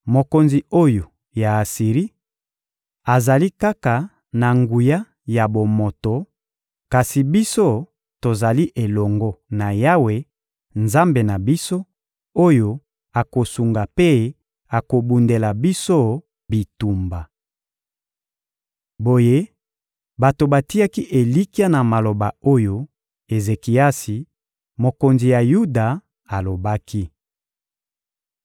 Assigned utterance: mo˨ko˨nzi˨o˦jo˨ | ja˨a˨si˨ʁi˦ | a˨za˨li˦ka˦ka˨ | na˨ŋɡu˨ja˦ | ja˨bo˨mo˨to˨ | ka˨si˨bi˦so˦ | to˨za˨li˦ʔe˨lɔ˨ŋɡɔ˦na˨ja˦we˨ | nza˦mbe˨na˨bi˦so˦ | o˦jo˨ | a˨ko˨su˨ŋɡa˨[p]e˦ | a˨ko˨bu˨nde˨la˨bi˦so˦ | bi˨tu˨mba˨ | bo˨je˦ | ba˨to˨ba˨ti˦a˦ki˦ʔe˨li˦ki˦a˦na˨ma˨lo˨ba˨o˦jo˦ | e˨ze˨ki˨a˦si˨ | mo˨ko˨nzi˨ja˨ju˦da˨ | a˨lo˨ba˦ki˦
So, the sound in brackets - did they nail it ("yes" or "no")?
yes